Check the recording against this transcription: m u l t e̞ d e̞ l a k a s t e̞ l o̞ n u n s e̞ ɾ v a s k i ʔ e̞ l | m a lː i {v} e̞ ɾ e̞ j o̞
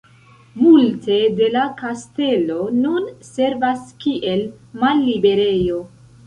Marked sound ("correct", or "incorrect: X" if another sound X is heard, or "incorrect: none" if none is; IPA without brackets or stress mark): incorrect: b